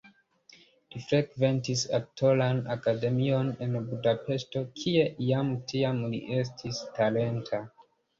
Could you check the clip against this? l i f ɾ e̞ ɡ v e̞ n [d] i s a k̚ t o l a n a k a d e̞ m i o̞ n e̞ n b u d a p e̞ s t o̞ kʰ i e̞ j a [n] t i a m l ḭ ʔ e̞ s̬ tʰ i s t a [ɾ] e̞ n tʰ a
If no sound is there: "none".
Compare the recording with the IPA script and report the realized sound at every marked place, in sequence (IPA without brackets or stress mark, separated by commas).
t, m, l